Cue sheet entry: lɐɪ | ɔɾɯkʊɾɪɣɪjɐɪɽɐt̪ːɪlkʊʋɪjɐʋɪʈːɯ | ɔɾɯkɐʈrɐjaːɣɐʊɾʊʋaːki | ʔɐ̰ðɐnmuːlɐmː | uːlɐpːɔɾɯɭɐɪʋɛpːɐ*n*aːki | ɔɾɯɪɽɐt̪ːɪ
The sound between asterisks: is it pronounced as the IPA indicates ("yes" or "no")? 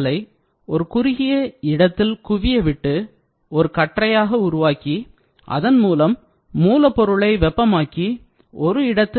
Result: no